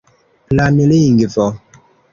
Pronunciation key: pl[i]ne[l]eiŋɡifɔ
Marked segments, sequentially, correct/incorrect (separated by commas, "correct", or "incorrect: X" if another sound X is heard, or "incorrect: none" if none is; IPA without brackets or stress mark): incorrect: a, correct